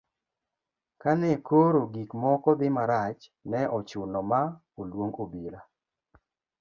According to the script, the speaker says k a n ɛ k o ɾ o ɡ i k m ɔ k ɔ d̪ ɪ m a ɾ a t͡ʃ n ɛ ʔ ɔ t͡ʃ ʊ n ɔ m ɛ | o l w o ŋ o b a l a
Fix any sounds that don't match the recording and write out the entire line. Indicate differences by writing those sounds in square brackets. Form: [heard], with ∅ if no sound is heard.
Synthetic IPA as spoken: k a n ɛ k o ɾ o ɡ i k m ɔ k ɔ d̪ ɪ m a ɾ a t͡ʃ n ɛ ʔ ɔ t͡ʃ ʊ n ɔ m [a] | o l w o ŋ o b [i] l a